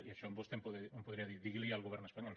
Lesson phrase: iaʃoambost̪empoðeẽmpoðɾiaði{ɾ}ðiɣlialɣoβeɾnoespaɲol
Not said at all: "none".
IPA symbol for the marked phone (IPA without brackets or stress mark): ɾ